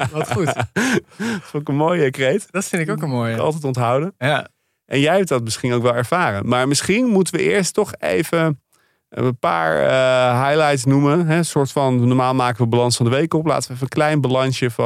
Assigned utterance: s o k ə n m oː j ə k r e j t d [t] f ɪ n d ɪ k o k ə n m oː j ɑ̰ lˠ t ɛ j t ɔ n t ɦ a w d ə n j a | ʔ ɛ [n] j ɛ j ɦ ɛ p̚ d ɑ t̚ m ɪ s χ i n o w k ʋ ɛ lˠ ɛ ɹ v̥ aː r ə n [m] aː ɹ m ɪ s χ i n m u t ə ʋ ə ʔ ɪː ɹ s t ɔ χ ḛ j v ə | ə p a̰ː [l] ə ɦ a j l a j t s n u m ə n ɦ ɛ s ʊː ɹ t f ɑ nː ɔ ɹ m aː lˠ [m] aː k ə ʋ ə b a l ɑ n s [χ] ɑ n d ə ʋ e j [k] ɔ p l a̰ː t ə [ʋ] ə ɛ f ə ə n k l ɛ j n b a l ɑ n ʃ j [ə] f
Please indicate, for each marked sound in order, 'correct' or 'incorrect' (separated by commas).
correct, correct, correct, incorrect, correct, incorrect, correct, correct, correct